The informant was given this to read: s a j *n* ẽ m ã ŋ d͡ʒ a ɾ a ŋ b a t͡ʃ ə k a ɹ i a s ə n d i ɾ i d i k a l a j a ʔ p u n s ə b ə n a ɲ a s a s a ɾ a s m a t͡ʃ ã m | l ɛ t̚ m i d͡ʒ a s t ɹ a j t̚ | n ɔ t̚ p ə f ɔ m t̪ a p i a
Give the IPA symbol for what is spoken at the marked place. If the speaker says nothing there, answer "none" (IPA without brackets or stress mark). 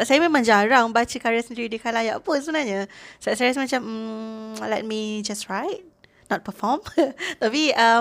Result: m